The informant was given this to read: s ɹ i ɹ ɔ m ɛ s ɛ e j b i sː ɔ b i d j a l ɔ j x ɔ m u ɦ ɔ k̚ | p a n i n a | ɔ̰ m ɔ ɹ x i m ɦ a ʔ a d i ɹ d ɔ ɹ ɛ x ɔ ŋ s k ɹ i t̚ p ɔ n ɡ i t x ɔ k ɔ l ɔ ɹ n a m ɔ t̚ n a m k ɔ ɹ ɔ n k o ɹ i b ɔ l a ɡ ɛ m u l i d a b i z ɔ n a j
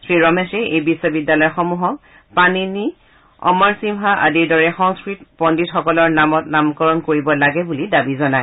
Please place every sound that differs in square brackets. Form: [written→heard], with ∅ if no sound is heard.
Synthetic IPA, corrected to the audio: s ɹ i ɹ ɔ m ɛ s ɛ e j b i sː ɔ b i d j a l ɔ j x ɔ m u ɦ ɔ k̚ | p a n i n [a→i] | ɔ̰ m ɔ ɹ [x→s] i m ɦ a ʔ a d i ɹ d ɔ ɹ ɛ x ɔ ŋ s k ɹ i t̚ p ɔ n [ɡ→d] i t x ɔ k ɔ l ɔ ɹ n a m ɔ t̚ n a m k ɔ ɹ ɔ n k o ɹ i b ɔ l a ɡ ɛ [m→b] u l i d a b i z ɔ n a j

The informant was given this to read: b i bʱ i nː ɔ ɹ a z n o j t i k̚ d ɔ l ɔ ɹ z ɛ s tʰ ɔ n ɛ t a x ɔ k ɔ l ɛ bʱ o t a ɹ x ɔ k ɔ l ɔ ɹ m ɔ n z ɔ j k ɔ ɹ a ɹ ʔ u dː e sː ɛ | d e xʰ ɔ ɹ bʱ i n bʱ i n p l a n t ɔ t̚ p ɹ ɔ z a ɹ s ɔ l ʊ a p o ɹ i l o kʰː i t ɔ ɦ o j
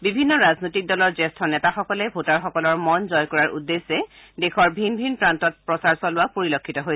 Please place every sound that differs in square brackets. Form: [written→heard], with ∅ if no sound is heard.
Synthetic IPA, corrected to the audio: b i bʱ i nː ɔ ɹ a z n o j t i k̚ d ɔ l ɔ ɹ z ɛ s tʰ ɔ n ɛ t a x ɔ k ɔ l ɛ bʱ o t a ɹ x ɔ k ɔ l ɔ ɹ m ɔ n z ɔ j k ɔ ɹ a ɹ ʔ u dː e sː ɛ | d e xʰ ɔ ɹ bʱ i n bʱ i n p [l→ɹ] a n t ɔ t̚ p ɹ ɔ [z→s] a ɹ s ɔ l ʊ a p o ɹ i l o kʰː i t ɔ ɦ o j

